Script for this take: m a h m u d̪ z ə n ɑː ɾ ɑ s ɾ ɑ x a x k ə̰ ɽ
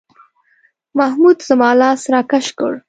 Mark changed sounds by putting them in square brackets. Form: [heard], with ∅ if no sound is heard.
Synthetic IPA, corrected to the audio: m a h m u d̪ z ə [m] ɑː [l] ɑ s ɾ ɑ [k] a [ʃ] k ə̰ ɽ